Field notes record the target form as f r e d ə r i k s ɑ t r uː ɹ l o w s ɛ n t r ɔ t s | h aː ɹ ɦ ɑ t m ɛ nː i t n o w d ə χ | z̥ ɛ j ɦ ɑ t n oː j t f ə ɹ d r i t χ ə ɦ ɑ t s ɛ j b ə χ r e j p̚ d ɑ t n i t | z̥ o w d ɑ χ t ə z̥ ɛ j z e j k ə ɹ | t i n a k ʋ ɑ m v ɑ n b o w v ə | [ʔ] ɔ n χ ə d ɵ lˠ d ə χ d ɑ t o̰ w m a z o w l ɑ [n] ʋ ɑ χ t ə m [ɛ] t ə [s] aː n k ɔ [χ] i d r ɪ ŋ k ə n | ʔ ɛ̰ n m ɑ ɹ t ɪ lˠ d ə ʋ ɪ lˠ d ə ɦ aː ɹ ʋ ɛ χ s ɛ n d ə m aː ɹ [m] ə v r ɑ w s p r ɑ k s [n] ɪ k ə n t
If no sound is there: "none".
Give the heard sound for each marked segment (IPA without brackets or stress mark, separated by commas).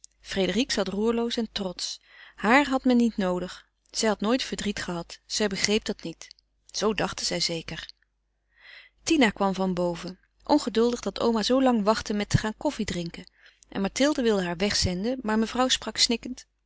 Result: ʔ, ŋ, ɛ, χ, f, m, n